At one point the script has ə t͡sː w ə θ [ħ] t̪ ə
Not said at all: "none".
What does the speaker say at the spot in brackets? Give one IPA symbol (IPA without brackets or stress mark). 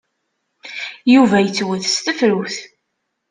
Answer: s